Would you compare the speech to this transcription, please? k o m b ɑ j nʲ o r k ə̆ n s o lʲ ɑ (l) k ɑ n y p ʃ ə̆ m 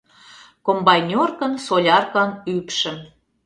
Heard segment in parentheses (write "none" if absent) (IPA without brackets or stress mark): r